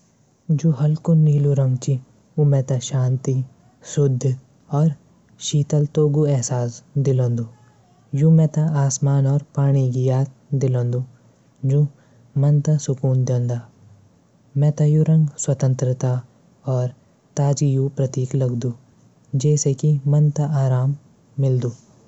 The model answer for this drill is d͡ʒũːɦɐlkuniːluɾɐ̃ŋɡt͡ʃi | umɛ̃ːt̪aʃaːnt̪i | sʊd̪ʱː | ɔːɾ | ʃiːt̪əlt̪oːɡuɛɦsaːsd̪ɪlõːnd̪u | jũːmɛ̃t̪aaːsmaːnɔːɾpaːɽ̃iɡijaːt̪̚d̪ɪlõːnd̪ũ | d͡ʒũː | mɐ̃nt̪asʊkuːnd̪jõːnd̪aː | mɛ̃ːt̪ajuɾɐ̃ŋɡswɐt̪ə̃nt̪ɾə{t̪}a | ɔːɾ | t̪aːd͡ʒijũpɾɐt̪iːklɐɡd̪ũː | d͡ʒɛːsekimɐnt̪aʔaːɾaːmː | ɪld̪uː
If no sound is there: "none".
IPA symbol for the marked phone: t̪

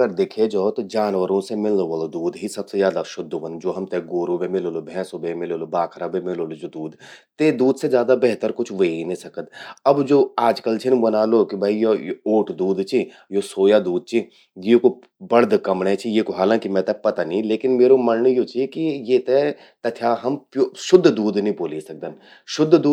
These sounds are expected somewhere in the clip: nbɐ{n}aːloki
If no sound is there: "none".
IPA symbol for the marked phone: n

